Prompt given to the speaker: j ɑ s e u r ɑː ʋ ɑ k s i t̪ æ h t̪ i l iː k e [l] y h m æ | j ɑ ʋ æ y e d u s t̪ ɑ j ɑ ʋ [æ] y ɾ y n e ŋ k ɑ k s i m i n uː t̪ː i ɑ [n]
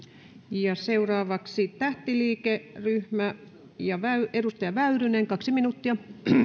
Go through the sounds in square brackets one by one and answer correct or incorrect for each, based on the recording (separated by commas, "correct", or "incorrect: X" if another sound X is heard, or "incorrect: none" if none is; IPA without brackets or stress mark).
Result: incorrect: r, correct, incorrect: none